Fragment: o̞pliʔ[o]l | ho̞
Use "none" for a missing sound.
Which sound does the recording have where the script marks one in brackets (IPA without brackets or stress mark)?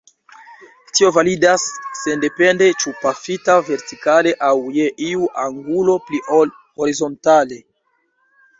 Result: o